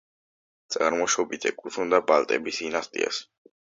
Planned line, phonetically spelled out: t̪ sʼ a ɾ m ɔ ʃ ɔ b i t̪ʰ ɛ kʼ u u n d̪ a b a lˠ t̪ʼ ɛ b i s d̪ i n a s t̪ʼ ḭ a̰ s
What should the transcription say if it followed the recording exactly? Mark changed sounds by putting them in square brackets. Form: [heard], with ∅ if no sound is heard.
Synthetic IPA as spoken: t̪ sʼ a ɾ m ɔ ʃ ɔ b i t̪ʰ ɛ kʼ u u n d̪ a b a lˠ t̪ʼ ɛ b i s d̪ i n a s t̪ʼ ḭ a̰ s